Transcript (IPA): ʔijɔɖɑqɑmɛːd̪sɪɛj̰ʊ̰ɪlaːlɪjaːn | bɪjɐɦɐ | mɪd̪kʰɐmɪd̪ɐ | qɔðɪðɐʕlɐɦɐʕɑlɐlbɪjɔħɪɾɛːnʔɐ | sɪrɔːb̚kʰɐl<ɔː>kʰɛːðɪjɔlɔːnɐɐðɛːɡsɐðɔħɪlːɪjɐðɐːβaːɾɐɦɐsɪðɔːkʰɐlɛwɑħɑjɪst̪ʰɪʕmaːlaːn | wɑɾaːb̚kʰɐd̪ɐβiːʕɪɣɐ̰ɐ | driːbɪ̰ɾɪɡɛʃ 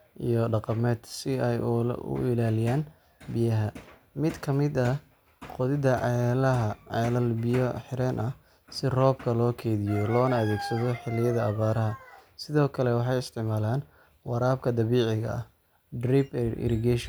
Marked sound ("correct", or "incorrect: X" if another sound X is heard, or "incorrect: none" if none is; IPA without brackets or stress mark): correct